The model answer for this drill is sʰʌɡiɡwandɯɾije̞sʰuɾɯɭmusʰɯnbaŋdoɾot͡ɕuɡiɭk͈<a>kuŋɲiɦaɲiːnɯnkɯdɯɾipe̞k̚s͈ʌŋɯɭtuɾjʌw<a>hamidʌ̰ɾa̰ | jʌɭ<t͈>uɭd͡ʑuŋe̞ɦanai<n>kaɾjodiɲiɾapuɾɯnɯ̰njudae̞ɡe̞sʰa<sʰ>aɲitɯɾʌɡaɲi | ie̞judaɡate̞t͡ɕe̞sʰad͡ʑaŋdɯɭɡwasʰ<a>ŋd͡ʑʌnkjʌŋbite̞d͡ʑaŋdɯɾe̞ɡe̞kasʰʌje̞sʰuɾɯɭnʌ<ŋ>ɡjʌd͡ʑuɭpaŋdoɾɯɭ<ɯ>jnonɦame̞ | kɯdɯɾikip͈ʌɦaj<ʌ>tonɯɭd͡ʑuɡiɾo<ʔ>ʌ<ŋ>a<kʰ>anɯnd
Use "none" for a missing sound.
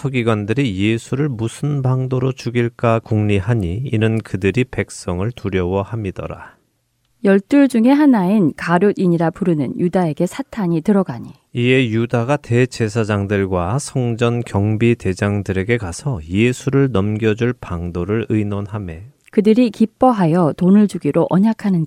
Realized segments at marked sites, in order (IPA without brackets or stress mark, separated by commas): a, ʌ, t͈, n, tʰ, ʌ, m, ɯ, ʌ, ʔ, ɲ, kʰ